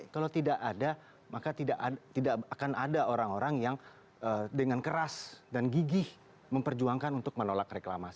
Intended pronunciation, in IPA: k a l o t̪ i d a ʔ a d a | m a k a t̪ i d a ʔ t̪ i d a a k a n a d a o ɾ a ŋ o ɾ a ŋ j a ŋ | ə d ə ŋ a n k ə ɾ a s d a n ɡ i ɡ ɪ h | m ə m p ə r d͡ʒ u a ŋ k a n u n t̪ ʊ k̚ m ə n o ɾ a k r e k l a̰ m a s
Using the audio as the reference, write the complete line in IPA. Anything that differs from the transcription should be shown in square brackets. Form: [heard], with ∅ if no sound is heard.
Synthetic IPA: k a l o t̪ i d a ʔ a d a | m a k a t̪ i d a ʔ t̪ i d a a k a n a d a o ɾ a ŋ o ɾ a ŋ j a ŋ | ə d ə ŋ a n k ə ɾ a s d a n ɡ i ɡ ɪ h | m ə m p ə r d͡ʒ u a ŋ k a n u n t̪ ʊ k̚ m ə n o [l] a k r e k l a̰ m a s